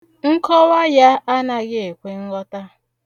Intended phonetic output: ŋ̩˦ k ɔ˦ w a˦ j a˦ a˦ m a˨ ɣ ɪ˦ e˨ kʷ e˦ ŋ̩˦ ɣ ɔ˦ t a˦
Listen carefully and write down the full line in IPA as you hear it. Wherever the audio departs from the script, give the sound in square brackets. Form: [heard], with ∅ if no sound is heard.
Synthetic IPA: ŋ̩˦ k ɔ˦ w a˦ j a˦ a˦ [n] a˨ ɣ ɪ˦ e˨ kʷ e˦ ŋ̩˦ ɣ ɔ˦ t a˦